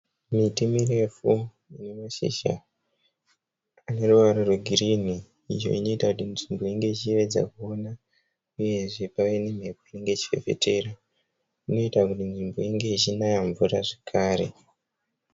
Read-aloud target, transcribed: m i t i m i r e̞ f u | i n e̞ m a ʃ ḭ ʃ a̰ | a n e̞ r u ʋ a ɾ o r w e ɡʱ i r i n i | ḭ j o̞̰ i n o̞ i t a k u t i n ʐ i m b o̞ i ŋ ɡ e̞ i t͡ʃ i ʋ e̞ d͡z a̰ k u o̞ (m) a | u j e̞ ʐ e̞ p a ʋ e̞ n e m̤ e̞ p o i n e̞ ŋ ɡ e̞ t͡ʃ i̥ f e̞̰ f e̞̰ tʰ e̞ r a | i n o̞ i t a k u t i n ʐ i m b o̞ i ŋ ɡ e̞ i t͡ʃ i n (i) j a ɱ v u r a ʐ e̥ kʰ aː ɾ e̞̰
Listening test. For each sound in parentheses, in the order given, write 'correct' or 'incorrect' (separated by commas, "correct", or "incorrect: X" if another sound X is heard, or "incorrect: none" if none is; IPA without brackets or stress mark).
incorrect: n, incorrect: a